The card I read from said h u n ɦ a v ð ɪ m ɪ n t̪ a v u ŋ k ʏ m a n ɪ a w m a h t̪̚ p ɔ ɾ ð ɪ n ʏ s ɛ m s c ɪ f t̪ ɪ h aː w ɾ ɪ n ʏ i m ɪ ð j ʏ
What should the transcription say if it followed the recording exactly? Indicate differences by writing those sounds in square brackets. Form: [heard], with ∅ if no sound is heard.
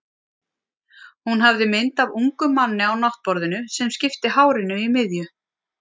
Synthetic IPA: h u n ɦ a v ð ɪ m ɪ n t̪ a v u ŋ k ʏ m a [nː] ɪ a w [n] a h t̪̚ p ɔ ɾ ð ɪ n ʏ s ɛ m s c ɪ f t̪ ɪ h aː w ɾ ɪ n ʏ i m ɪ ð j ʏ